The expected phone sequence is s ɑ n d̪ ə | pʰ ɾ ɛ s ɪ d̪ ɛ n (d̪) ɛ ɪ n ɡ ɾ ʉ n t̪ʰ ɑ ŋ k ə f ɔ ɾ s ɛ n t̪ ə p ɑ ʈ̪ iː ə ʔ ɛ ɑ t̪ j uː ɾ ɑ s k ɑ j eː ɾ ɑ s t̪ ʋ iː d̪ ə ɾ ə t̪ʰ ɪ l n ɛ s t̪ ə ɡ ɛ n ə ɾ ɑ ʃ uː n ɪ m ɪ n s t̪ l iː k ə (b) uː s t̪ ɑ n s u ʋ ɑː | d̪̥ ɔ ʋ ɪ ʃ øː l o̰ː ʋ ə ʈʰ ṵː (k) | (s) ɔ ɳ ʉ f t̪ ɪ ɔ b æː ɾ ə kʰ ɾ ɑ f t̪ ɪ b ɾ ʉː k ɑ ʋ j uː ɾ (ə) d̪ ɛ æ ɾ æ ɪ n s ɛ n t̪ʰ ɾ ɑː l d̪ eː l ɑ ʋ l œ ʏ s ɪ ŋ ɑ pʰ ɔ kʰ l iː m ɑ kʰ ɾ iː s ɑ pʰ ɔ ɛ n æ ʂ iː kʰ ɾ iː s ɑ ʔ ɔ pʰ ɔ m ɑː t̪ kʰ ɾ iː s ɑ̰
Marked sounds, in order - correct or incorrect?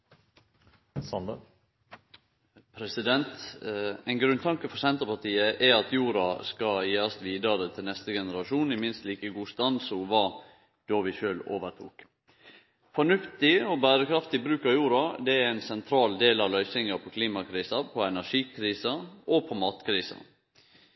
incorrect, incorrect, correct, incorrect, incorrect

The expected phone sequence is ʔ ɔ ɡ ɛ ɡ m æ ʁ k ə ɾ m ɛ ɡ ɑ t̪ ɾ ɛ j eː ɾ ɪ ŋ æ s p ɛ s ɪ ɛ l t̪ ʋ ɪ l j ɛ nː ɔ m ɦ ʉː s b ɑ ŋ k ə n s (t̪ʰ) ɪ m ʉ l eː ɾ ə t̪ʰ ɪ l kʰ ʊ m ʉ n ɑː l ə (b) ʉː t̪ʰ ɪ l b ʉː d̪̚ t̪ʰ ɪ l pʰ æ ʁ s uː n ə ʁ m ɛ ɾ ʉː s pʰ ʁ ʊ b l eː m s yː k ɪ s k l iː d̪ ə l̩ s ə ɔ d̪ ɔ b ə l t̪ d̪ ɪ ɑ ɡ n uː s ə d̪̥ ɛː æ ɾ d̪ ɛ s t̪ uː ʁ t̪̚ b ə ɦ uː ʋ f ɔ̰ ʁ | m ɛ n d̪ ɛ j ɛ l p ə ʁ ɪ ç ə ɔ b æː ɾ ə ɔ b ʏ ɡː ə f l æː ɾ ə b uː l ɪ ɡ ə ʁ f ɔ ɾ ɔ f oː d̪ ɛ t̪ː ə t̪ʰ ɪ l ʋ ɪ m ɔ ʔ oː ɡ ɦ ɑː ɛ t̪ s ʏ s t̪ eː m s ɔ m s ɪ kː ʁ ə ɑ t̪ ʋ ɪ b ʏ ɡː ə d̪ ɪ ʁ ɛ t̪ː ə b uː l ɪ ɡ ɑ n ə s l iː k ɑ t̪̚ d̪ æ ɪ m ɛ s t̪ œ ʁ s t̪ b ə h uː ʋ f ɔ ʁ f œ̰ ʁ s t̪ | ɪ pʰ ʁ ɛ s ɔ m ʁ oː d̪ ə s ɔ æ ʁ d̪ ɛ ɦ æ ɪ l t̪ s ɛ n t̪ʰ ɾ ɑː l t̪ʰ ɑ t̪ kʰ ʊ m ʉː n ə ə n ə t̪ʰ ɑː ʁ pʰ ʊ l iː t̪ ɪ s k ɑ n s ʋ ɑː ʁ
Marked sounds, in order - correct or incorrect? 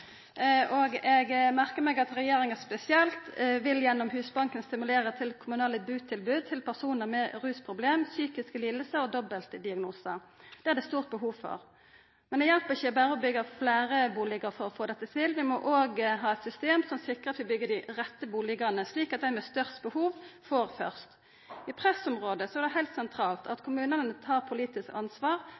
incorrect, correct

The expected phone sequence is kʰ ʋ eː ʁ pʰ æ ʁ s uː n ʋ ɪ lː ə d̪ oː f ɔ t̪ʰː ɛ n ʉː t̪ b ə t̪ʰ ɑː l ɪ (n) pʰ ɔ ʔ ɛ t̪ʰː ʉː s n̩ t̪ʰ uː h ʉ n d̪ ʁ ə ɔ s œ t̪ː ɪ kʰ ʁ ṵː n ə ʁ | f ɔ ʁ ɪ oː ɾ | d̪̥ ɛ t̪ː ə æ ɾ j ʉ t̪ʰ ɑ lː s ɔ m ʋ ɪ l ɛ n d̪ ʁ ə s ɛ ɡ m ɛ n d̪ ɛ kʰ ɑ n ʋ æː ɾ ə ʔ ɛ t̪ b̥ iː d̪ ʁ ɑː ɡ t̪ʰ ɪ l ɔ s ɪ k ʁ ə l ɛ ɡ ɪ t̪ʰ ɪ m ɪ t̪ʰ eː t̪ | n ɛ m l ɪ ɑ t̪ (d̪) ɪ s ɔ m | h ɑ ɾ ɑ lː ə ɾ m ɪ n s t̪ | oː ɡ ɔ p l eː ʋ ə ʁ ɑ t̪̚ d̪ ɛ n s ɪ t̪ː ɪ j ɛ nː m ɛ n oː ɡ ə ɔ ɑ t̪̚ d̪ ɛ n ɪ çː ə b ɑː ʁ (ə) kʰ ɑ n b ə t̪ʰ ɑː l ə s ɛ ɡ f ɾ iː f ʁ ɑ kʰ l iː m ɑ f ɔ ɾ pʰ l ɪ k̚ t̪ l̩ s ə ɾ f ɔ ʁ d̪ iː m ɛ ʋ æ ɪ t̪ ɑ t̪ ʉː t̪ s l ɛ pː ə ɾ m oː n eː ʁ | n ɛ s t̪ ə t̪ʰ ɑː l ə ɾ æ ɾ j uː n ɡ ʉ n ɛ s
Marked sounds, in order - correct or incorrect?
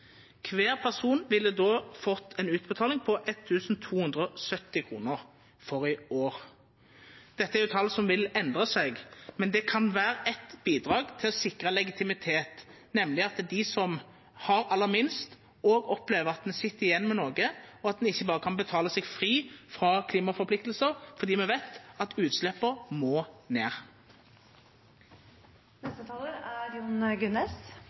incorrect, correct, correct

